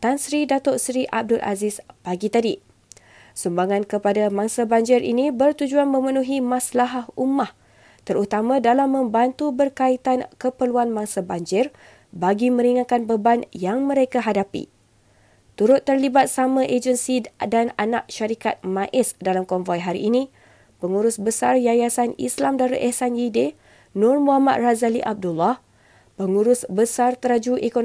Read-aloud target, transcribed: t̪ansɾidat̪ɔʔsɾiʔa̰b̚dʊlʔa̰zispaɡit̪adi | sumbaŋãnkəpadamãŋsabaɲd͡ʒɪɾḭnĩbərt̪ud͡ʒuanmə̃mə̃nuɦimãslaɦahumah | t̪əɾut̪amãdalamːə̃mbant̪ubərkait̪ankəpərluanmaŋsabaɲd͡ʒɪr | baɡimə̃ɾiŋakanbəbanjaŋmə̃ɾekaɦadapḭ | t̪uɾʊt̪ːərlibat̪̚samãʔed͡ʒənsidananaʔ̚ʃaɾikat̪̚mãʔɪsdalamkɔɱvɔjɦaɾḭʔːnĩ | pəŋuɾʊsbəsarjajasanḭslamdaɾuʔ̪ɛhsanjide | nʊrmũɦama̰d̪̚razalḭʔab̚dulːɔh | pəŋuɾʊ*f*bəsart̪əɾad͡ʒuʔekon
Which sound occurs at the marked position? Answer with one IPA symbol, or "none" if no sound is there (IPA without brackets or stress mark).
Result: s